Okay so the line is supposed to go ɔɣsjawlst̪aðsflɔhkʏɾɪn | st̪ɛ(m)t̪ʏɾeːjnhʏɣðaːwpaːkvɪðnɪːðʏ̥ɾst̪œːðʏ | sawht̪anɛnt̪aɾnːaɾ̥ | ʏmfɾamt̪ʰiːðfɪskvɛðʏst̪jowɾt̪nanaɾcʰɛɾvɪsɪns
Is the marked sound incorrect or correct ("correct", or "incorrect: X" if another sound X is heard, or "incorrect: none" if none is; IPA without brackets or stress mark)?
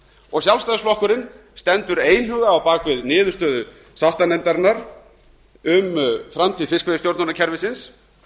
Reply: incorrect: n